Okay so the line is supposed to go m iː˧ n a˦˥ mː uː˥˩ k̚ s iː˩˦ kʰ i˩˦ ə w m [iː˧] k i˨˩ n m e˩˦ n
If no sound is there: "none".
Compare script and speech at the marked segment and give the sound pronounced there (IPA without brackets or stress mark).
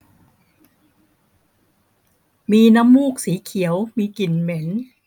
iː˧